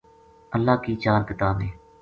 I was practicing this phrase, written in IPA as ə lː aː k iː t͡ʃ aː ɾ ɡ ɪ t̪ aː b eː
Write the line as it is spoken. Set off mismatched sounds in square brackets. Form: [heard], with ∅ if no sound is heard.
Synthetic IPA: ə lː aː k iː t͡ʃ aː ɾ [k] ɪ t̪ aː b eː

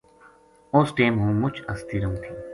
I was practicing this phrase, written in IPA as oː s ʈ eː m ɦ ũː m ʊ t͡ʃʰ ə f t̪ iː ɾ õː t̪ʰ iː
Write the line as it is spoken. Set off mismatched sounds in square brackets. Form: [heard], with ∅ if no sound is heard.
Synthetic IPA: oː s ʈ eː m ɦ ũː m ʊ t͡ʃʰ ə [s] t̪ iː ɾ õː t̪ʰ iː

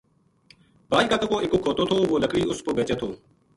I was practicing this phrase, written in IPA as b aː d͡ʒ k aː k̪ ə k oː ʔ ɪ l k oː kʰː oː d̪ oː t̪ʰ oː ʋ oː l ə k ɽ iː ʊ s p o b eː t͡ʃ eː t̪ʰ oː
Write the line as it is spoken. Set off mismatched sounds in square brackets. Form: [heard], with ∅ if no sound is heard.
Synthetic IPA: b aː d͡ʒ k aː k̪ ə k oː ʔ ɪ [∅] k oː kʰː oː [t̪] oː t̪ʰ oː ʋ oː l ə k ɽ iː ʊ s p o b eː t͡ʃ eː t̪ʰ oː

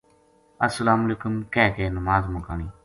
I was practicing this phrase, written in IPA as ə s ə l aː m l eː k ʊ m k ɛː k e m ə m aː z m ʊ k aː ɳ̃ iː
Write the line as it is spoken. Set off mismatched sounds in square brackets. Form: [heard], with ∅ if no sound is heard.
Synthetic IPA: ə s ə l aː m l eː k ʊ m k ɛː k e [n] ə m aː z m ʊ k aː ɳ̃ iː

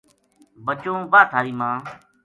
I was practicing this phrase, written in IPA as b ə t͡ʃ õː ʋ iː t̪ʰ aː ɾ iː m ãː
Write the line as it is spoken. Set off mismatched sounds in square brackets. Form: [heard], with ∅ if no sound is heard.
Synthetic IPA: b ə t͡ʃ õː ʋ [aː] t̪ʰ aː ɾ iː m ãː

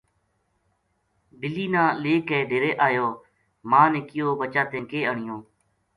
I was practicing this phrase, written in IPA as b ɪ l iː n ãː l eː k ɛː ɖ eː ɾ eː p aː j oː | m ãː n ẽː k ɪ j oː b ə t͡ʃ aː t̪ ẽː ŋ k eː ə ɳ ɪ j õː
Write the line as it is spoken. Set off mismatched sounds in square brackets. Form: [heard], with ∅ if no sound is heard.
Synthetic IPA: b ɪ l iː n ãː l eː k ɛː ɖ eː ɾ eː [ʔ] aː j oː | m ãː n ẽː k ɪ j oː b ə t͡ʃ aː t̪ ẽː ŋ k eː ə ɳ ɪ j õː

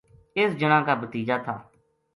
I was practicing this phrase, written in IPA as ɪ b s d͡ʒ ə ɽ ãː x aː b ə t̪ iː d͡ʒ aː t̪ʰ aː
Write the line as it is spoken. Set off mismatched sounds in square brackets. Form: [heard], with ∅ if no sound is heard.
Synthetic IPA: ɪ [∅] s d͡ʒ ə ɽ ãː [k] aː b ə t̪ iː d͡ʒ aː t̪ʰ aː

